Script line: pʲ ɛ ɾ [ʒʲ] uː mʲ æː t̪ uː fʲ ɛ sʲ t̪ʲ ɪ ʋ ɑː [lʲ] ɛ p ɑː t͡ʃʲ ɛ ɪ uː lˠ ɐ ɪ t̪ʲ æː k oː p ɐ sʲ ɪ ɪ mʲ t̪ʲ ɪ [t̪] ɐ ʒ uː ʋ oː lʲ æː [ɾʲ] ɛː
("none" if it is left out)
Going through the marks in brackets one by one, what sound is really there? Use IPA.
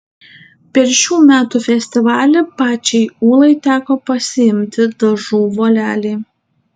ʃʲ, lʲ, d̪, lʲ

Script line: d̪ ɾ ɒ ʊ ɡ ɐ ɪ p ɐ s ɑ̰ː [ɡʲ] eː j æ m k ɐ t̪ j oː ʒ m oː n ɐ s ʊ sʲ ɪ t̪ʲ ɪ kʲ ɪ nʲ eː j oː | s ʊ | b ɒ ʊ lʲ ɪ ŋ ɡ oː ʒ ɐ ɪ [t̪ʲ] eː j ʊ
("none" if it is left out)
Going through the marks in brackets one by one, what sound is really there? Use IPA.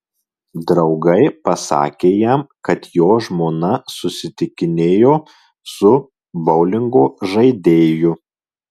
kʲ, d̪ʲ

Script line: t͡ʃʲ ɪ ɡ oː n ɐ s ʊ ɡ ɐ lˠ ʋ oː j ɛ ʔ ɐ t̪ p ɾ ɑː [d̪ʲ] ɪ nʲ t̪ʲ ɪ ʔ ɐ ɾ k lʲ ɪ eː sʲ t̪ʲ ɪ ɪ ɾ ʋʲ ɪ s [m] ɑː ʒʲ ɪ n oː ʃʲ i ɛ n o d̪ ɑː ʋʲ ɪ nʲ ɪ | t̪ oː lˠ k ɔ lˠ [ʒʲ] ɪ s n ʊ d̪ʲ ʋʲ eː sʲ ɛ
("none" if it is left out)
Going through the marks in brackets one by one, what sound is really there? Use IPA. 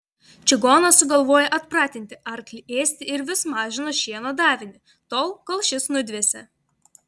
t̪ʲ, m, ʃʲ

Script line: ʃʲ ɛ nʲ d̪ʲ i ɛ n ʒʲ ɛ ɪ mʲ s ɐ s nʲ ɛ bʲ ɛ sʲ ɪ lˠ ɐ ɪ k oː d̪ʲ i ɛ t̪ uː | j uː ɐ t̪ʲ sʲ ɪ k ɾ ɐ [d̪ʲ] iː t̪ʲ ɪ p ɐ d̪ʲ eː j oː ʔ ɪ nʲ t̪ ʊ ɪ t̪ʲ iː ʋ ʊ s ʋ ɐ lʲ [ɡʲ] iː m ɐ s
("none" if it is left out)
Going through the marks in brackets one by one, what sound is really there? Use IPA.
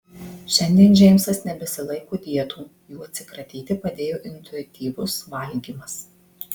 t̪ʲ, ɡʲ

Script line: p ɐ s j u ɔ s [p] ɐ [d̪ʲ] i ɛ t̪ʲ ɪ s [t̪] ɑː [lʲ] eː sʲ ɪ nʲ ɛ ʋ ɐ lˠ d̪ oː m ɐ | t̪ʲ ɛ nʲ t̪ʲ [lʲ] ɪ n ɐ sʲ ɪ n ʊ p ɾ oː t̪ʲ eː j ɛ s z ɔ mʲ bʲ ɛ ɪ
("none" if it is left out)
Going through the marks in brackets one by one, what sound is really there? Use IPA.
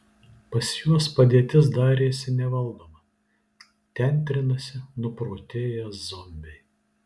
p, d̪ʲ, d̪, ɾʲ, ɾʲ

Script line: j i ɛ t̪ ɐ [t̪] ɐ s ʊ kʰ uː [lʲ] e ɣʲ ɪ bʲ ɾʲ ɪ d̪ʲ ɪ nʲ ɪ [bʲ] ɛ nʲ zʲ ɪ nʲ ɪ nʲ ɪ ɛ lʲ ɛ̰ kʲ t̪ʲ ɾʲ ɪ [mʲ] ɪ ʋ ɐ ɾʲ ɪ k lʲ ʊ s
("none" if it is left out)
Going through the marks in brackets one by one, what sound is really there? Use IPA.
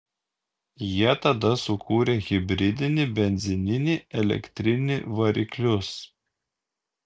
d̪, ɾʲ, bʲ, nʲ

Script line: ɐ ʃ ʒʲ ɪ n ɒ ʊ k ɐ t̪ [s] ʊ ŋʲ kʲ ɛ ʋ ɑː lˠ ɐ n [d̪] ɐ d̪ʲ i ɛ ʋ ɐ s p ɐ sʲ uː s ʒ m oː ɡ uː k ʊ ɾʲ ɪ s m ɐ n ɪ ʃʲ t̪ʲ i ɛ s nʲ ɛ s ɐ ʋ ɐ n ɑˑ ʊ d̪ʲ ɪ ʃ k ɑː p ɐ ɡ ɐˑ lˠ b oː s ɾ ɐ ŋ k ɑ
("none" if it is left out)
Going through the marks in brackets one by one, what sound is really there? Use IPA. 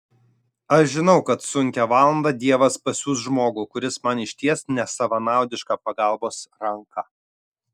s, d̪

